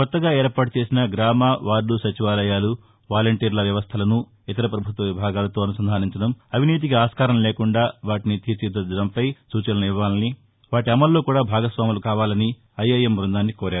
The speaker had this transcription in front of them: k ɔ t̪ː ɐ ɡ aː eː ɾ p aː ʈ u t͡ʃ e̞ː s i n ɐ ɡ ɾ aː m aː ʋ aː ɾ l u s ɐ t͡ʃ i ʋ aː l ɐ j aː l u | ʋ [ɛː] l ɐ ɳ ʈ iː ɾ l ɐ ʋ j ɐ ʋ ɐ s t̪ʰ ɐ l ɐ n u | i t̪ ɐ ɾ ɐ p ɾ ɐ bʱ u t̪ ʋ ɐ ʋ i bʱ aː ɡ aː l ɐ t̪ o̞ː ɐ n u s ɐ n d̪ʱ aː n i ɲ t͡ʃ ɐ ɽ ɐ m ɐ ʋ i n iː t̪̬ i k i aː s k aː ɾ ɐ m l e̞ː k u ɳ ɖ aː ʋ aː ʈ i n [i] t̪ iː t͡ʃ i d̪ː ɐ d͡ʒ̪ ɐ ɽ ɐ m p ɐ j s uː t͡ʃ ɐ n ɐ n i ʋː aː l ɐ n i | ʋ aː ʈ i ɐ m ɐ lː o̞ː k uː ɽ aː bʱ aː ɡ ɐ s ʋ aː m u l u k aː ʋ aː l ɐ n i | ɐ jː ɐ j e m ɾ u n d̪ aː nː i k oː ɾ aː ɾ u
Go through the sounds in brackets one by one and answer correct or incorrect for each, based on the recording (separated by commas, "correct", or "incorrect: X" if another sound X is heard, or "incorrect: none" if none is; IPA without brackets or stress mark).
incorrect: aː, correct